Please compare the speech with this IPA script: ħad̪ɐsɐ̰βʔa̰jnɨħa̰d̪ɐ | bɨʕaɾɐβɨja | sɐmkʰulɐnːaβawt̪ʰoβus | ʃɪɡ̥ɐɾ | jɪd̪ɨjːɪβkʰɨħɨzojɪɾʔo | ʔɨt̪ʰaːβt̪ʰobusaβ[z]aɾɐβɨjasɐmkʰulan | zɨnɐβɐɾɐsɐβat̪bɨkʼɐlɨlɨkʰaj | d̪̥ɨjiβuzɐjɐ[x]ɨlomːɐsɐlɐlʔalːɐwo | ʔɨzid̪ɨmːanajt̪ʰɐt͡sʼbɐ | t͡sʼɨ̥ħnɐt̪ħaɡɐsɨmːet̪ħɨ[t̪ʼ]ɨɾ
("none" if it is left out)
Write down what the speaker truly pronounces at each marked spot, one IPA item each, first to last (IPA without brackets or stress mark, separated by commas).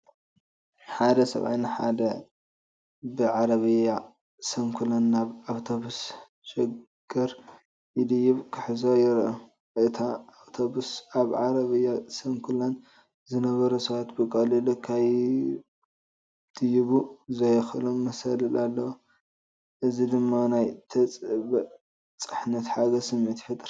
ʕ, x, t̪ʼ